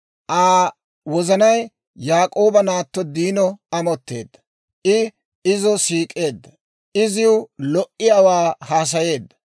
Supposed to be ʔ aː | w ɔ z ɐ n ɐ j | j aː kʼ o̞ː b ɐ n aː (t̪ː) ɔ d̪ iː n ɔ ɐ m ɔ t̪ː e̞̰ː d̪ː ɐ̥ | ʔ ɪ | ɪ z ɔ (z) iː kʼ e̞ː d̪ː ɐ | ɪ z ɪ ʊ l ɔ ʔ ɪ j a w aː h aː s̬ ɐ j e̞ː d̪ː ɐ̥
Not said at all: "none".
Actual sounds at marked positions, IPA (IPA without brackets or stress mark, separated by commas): t̪ː, s